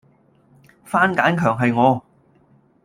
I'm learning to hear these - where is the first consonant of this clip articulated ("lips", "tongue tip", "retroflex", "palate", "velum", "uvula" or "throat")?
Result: lips